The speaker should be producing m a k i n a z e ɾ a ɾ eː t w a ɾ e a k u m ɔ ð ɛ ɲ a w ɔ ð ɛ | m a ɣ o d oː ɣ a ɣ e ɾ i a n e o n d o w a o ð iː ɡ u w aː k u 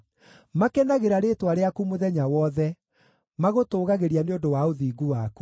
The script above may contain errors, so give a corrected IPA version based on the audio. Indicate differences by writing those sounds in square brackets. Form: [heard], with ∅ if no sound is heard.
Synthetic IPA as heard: m a k [ɛ] n a [ɣ] e ɾ a ɾ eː t w a ɾ e a k u m [o] ð ɛ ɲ a w ɔ ð ɛ | m a ɣ o [t] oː ɣ a ɣ e ɾ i a n e o n d o w a o ð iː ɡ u w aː k u